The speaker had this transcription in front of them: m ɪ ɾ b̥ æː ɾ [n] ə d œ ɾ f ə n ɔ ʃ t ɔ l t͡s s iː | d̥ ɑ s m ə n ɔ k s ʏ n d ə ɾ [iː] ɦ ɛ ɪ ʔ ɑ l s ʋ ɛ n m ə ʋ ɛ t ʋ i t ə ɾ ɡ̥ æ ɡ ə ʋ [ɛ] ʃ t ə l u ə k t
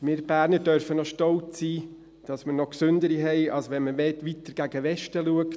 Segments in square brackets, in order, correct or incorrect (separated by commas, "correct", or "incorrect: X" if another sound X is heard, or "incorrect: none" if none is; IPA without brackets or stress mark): correct, incorrect: i, correct